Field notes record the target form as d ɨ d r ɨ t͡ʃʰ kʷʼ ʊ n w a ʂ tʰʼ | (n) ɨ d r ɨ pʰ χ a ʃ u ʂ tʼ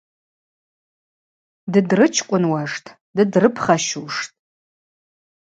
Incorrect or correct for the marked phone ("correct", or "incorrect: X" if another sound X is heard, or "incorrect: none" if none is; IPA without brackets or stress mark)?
incorrect: d